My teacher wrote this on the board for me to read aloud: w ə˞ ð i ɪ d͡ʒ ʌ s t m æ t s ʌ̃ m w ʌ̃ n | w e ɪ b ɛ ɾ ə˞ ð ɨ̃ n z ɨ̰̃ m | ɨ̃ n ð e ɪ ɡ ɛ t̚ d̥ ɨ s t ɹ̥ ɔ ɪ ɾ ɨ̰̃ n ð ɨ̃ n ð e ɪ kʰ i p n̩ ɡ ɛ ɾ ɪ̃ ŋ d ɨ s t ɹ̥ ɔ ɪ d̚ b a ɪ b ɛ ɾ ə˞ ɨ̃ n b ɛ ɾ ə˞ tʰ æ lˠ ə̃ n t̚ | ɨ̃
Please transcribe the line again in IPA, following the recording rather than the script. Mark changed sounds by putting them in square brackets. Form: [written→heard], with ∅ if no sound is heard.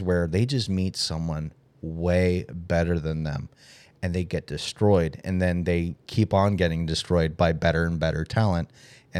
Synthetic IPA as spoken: w ə˞ ð [i→e] ɪ d͡ʒ ʌ s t m [æ→i] t s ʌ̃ m w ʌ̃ n | w e ɪ b ɛ ɾ ə˞ ð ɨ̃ n [z→ð] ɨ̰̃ m | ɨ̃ n ð e ɪ ɡ ɛ t̚ d̥ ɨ s t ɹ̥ ɔ ɪ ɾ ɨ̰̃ n ð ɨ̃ n ð e ɪ kʰ i p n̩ ɡ ɛ ɾ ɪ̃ ŋ d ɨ s t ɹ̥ ɔ ɪ d̚ b a ɪ b ɛ ɾ ə˞ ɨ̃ n b ɛ ɾ ə˞ tʰ æ lˠ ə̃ n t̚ | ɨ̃